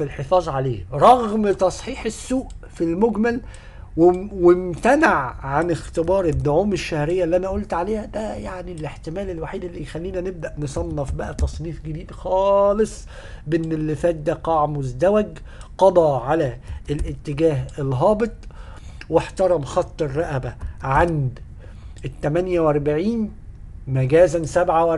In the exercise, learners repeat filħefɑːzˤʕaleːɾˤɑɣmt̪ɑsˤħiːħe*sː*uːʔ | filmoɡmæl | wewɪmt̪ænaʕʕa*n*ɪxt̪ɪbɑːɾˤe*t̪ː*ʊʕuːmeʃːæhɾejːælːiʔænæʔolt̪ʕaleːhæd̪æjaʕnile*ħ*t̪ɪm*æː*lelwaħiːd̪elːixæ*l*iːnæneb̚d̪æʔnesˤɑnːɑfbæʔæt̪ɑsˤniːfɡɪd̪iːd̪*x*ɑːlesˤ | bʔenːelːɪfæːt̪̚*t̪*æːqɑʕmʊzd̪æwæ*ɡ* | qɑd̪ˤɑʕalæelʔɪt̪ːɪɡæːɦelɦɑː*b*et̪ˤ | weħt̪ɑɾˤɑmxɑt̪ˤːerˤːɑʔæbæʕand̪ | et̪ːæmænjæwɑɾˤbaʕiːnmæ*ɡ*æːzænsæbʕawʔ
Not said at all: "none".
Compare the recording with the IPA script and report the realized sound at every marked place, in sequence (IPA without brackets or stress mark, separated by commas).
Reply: sː, n, d̪ː, ħ, æː, lː, x, d̪, ɡ, b, ɡ